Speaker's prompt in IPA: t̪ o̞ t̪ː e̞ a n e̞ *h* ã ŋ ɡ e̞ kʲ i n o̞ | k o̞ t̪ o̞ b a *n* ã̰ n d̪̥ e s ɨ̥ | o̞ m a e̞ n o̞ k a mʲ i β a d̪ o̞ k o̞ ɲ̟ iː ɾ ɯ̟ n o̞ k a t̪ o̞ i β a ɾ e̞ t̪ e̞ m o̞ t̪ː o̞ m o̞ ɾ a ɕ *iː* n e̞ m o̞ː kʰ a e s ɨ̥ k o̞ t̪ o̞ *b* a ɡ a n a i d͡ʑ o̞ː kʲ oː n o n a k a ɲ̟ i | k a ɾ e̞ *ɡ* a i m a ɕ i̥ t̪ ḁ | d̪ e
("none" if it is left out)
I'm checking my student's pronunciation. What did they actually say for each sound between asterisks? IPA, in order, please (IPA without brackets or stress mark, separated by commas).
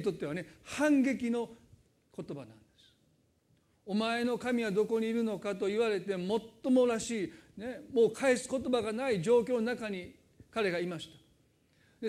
h, n, iː, b, ɡ